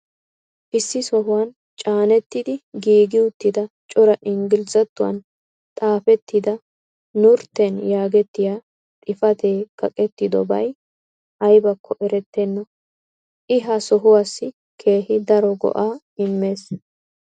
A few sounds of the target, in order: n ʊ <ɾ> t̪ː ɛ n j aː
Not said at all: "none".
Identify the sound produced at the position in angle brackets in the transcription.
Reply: ɾ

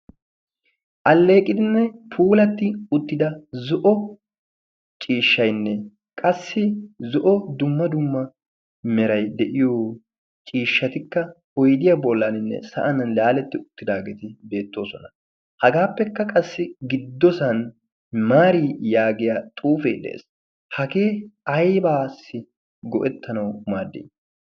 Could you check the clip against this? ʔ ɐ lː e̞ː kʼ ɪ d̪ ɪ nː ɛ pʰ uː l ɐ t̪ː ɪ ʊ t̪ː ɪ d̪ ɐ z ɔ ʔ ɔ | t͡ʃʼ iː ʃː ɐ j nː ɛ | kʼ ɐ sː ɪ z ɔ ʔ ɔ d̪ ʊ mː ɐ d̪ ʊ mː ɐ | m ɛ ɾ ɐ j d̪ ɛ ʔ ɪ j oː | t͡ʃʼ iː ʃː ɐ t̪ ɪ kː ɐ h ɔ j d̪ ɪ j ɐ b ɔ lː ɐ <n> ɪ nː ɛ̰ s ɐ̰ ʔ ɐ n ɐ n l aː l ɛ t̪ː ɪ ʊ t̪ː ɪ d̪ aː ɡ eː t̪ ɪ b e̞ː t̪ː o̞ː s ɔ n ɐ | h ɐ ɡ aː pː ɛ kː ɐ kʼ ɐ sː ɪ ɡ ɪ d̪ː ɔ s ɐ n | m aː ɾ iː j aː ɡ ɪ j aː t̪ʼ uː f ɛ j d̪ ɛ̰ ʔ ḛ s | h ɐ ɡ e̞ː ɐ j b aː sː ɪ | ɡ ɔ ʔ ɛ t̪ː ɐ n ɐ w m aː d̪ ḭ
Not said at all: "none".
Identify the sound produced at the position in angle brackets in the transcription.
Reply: n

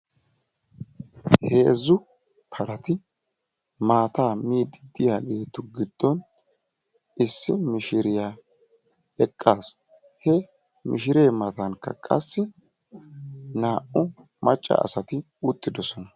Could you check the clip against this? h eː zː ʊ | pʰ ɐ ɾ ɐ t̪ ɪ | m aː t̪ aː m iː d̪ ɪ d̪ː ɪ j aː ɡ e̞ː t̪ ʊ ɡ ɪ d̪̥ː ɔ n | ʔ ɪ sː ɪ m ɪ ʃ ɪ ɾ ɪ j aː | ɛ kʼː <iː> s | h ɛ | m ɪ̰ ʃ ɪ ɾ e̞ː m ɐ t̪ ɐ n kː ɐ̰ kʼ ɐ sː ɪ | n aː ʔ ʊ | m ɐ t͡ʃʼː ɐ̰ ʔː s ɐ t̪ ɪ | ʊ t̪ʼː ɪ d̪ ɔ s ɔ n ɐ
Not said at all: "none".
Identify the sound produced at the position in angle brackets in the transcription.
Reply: aː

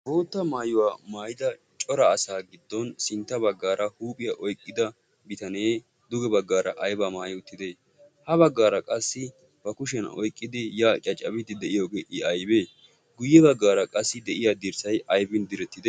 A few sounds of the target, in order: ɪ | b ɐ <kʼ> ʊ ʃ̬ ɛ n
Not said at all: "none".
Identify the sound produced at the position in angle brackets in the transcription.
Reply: k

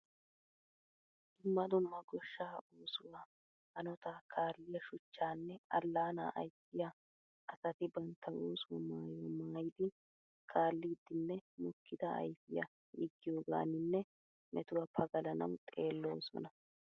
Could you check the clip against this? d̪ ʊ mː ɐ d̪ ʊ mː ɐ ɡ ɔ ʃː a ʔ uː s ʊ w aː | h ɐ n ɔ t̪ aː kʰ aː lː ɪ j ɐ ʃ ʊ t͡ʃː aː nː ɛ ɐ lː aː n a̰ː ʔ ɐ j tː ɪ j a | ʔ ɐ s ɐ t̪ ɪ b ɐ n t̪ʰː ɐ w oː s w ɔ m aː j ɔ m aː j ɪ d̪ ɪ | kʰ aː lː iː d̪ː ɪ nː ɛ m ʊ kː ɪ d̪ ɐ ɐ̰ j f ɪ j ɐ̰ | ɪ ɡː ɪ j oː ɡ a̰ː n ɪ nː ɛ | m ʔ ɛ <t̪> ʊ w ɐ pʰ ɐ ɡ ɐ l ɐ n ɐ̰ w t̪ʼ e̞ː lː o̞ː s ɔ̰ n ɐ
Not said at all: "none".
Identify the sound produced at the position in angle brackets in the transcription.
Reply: t̪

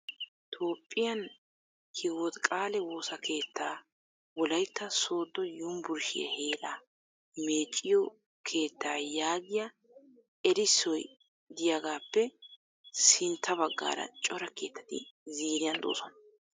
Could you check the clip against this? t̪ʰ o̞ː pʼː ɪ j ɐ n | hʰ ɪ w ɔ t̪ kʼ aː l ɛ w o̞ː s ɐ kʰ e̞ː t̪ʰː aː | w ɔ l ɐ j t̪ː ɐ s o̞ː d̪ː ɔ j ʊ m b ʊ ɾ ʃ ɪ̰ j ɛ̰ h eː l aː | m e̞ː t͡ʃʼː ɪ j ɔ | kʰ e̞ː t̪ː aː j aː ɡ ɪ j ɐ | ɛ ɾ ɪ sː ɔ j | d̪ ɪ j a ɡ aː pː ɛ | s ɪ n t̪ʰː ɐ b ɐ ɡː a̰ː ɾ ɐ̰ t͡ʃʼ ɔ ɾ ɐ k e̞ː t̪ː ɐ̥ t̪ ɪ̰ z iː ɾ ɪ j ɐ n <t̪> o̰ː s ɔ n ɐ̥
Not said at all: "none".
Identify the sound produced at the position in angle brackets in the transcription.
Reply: d̪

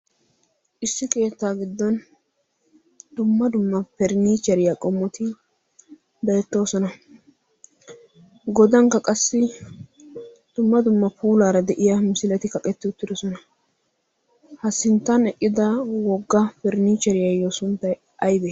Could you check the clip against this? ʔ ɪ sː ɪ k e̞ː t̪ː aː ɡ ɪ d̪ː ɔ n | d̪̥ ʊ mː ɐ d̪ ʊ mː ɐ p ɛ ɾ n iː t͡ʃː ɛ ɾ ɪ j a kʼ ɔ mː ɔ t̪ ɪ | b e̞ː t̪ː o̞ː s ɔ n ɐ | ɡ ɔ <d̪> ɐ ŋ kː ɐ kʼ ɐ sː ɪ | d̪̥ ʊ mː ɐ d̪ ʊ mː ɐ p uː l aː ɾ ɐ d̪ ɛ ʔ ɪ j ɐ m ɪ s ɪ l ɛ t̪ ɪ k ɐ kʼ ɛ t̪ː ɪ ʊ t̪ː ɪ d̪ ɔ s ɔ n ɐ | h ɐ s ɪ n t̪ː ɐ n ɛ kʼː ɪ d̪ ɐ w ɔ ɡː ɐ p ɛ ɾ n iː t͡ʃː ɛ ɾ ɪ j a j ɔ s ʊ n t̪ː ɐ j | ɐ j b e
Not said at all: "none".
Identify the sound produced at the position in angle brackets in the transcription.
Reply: d̪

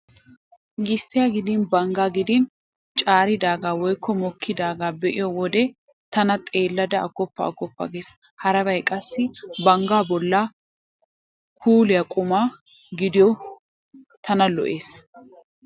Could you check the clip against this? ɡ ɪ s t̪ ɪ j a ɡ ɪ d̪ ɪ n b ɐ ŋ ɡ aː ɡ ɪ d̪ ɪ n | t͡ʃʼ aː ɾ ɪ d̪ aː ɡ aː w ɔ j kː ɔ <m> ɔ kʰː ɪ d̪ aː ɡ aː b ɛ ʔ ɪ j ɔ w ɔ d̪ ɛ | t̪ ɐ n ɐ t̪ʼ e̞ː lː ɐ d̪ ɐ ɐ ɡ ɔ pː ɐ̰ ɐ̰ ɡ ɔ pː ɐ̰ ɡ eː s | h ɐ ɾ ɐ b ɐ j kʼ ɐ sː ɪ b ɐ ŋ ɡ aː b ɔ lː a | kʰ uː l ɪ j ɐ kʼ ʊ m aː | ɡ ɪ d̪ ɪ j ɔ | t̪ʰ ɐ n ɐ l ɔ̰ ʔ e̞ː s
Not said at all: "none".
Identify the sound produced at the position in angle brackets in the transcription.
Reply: m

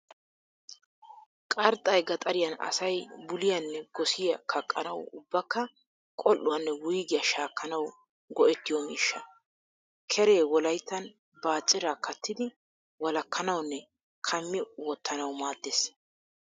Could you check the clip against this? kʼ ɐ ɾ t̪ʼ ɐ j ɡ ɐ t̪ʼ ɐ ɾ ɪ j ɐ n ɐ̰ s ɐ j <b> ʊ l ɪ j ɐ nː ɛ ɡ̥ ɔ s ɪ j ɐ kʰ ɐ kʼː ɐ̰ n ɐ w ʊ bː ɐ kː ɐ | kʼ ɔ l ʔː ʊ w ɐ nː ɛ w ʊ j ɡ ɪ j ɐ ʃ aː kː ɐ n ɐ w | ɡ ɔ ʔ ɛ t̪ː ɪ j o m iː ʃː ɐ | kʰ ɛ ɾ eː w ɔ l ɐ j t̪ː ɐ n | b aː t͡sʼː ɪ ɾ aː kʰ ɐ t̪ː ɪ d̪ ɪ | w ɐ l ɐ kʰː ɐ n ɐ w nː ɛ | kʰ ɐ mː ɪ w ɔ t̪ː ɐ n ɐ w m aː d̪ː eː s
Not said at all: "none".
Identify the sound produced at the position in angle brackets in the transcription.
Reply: b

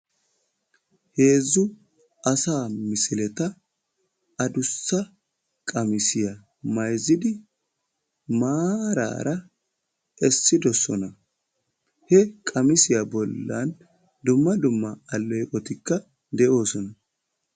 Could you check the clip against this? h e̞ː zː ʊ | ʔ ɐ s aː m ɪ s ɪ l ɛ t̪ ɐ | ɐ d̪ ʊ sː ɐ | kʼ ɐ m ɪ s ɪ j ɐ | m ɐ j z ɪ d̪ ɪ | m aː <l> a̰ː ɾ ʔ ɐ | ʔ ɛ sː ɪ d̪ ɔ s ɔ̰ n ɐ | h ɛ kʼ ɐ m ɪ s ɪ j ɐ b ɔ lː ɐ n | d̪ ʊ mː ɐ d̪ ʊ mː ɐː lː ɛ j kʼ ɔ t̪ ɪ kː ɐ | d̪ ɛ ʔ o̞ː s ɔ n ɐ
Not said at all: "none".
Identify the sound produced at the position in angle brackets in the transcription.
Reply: ɾ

